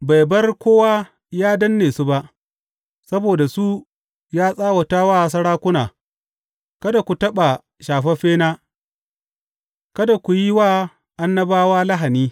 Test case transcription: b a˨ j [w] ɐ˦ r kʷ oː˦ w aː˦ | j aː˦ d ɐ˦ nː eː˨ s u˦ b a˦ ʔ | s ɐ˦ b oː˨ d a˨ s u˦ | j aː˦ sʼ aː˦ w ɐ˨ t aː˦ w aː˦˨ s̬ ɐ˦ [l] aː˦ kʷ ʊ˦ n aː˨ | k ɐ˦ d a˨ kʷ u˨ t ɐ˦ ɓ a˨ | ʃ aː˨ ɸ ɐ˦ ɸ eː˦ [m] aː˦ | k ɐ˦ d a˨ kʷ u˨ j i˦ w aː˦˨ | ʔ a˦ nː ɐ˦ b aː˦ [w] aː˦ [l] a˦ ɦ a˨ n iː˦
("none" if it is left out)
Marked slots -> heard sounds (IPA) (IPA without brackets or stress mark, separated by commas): b, ɽ, n, w, l